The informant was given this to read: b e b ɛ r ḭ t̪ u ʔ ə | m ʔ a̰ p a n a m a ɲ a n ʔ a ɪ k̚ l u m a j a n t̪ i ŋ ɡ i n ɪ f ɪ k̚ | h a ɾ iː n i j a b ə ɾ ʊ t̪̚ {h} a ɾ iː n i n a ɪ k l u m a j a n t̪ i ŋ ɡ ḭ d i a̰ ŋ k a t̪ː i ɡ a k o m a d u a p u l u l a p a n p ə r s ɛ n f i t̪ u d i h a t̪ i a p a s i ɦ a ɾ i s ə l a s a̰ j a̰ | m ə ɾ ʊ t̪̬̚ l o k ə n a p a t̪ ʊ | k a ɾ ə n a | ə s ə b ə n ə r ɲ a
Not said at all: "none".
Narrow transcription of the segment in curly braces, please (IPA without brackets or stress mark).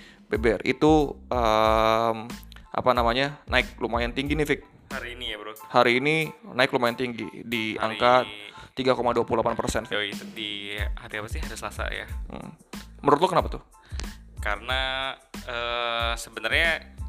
h